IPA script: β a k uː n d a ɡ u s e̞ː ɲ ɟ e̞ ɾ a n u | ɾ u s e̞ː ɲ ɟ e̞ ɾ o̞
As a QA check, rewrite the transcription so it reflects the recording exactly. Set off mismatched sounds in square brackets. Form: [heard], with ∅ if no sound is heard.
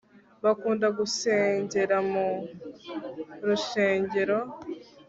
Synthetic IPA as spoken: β a k uː n d a ɡ u s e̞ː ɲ ɟ e̞ ɾ a [m] u | ɾ u [ʃ] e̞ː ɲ ɟ e̞ ɾ o̞